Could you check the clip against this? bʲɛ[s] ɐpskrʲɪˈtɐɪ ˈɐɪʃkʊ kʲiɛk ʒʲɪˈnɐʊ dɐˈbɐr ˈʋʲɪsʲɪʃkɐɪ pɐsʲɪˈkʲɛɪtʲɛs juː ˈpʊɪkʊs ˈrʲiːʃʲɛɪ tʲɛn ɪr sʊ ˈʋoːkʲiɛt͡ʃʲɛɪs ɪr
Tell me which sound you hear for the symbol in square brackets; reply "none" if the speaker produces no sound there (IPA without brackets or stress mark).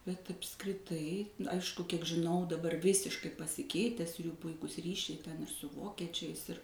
t